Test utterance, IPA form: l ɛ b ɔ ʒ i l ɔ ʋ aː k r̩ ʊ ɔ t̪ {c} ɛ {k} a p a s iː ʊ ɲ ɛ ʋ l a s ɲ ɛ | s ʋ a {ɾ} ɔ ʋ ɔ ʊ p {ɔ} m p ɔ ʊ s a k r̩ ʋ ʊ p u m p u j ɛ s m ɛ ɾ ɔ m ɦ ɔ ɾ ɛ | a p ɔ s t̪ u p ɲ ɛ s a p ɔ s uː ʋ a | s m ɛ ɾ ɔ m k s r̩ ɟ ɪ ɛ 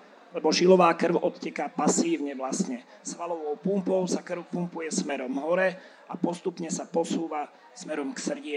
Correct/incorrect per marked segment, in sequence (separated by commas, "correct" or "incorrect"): correct, correct, incorrect, incorrect